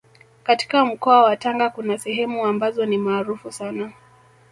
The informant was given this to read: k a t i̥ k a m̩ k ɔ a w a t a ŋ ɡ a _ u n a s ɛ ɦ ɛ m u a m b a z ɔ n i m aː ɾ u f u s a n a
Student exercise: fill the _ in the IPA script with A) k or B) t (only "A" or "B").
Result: A